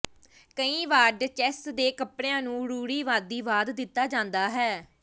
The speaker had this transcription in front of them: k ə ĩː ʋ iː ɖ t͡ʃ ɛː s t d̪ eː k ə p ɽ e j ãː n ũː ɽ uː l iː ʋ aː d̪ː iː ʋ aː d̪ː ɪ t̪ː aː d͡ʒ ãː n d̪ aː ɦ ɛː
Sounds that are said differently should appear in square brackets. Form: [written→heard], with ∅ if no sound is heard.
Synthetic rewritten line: k ə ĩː ʋ [iː→aː] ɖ t͡ʃ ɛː s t d̪ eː k ə p ɽ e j ãː n ũː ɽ uː [l→ɽ] iː ʋ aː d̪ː iː ʋ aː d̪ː ɪ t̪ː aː d͡ʒ ãː n d̪ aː ɦ ɛː